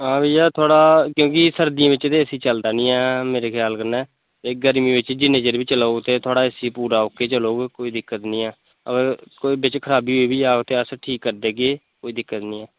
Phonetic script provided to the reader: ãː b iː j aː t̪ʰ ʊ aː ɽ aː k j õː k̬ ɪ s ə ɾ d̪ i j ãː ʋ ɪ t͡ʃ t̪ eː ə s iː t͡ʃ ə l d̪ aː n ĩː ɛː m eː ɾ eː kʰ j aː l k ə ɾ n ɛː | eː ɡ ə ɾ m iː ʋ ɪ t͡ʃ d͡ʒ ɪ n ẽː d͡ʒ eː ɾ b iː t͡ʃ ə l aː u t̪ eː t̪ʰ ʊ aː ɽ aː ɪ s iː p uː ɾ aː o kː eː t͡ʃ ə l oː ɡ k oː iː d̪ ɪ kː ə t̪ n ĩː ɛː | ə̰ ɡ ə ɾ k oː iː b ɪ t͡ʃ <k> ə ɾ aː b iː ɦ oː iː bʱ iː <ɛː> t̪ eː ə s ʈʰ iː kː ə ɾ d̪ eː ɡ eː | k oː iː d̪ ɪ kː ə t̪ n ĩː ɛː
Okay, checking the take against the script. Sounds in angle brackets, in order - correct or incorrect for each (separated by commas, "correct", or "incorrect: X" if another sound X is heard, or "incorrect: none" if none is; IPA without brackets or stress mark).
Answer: incorrect: kʰ, incorrect: aː